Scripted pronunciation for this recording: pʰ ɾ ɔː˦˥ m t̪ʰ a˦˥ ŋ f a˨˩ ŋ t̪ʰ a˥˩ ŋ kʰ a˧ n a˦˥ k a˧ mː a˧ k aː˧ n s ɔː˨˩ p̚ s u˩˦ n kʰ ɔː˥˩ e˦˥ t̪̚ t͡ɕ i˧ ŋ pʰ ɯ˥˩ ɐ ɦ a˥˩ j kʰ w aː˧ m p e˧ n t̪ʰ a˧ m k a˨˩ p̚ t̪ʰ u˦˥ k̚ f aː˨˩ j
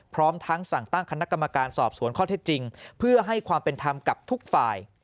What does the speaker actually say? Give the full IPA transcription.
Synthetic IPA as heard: pʰ ɾ ɔː˦˥ m t̪ʰ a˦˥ ŋ s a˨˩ ŋ t̪ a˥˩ ŋ kʰ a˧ n a˦˥ k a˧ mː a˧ k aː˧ n s ɔː˨˩ p̚ s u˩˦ n kʰ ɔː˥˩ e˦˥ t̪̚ t͡ɕ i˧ ŋ pʰ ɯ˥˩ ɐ ɦ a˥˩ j kʰ w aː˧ m p e˧ n t̪ʰ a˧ m k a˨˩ p̚ t̪ʰ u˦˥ k̚ f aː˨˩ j